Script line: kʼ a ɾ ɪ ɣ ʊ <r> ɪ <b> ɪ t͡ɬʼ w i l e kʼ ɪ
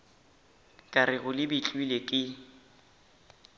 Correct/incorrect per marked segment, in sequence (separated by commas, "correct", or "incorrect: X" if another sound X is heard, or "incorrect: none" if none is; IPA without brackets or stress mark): incorrect: l, correct